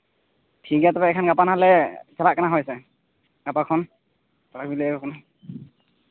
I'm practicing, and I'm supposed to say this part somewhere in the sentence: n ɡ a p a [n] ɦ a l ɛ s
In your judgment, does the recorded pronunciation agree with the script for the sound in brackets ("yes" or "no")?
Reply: yes